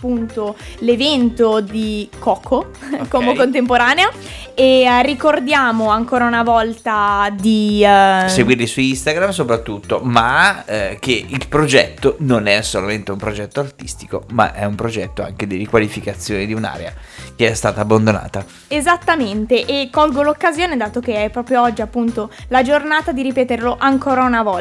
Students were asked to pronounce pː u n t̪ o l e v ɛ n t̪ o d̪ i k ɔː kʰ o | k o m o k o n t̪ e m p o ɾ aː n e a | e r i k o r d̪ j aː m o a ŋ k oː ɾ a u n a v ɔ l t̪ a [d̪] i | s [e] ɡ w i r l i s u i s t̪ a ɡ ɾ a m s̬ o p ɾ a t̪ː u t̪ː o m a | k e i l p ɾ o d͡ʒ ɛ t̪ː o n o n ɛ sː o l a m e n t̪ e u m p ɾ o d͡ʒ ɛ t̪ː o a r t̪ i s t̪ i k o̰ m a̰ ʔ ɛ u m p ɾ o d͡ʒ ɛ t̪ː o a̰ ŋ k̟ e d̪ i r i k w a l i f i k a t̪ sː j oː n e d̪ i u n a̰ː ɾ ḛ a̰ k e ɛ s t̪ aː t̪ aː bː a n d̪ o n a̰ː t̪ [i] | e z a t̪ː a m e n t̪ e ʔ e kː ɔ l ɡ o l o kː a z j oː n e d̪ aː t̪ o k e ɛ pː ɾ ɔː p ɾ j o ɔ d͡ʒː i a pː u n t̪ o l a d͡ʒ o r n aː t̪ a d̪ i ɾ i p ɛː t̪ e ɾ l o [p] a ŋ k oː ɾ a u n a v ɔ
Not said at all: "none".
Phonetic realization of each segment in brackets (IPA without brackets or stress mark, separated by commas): d̪, e, a, ʔ